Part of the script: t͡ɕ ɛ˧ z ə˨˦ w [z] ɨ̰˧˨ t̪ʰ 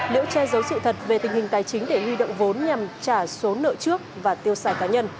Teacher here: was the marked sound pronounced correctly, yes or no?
no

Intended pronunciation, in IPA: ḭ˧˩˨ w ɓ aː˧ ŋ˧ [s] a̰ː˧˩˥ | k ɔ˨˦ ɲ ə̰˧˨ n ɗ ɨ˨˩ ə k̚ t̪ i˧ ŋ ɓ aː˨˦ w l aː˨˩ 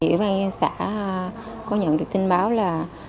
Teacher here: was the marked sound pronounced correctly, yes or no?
yes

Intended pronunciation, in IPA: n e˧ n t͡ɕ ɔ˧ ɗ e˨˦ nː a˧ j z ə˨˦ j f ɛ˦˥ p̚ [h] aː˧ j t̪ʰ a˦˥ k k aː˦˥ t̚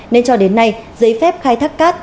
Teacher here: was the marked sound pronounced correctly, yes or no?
no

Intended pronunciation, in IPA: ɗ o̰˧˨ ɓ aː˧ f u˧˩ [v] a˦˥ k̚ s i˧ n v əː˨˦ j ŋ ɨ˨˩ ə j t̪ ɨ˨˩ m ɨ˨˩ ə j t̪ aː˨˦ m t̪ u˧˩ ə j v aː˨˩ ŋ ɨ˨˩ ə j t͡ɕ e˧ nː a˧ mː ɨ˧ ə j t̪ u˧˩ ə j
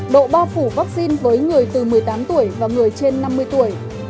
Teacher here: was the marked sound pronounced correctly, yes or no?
yes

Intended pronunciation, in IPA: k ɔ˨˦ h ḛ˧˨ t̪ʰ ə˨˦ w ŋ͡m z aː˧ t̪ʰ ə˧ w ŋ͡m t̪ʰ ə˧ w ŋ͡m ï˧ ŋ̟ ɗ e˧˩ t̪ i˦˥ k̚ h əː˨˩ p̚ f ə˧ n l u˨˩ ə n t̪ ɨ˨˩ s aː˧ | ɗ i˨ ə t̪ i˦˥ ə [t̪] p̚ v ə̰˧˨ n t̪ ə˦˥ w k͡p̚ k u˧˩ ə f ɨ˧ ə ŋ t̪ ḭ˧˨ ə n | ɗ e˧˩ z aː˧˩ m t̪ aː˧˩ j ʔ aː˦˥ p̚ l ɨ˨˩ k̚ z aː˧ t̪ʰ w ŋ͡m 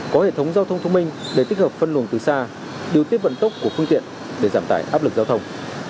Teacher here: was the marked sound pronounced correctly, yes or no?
no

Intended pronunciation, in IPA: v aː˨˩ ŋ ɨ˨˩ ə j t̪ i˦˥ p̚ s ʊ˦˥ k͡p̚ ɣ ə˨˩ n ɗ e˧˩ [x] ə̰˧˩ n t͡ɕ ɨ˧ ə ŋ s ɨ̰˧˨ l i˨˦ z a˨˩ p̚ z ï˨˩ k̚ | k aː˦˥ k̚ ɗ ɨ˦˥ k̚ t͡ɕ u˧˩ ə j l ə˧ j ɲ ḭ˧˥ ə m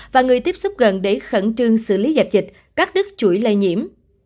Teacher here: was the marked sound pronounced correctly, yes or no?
yes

